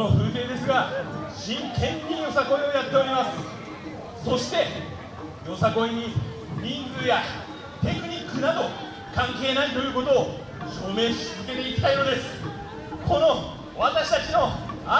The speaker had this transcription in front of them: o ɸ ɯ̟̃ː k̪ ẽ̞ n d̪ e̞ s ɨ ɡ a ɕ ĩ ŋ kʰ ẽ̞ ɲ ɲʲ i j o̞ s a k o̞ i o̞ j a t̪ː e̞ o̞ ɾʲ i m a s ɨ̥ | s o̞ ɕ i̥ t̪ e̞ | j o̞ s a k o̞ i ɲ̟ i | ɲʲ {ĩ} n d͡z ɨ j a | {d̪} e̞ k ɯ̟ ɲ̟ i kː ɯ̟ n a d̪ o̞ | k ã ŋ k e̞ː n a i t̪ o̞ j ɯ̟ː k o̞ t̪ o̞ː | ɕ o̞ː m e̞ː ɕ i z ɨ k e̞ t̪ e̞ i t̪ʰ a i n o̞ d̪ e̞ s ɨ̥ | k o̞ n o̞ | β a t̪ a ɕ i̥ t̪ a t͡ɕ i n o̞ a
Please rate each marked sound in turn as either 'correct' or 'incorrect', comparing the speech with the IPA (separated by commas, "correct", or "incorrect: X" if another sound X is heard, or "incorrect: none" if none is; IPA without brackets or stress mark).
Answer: correct, incorrect: t̪